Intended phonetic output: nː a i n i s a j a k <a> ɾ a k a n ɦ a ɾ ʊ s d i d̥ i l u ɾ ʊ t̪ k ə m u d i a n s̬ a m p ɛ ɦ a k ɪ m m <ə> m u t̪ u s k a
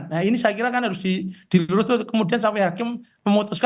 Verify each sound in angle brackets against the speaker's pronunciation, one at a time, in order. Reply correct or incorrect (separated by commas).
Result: incorrect, correct